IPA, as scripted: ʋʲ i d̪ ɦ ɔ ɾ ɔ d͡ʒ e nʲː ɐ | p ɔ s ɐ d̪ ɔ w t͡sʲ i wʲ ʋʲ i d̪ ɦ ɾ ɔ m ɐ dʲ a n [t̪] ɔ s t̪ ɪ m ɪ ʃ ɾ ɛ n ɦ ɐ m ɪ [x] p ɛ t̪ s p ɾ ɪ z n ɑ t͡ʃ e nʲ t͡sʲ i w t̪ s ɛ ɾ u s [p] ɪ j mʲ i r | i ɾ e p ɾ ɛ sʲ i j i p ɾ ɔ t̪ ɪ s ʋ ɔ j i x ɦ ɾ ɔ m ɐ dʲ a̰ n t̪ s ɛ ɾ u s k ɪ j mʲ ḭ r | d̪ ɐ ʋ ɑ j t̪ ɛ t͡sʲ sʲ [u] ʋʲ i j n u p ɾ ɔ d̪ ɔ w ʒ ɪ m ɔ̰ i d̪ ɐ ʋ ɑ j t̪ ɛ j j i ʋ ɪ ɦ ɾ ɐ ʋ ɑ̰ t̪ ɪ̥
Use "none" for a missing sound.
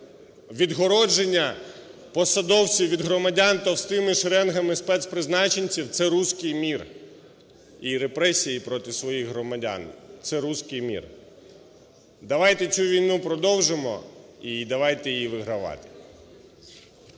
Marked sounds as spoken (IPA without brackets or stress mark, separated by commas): t̪, s, k, u